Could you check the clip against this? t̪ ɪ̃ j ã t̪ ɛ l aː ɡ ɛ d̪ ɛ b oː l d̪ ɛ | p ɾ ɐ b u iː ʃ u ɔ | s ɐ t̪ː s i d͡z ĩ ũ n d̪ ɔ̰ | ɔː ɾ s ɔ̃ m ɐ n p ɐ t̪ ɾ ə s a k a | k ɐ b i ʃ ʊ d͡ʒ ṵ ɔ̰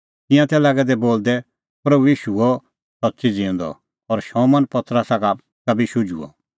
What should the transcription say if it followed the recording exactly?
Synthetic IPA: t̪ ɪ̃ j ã t̪ ɛ l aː ɡ ɛ d̪ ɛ b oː l d̪ ɛ | p ɾ ɐ b u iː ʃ u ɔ | s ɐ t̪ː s i d͡z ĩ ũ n d̪ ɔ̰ | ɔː ɾ ʃ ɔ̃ m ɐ n p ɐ t̪ ɾ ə s a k a | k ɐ b i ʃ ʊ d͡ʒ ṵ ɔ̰